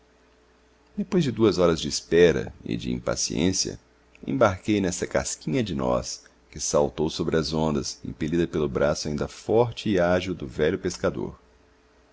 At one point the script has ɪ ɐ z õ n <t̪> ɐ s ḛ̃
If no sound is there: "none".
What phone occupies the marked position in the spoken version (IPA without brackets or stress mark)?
d̪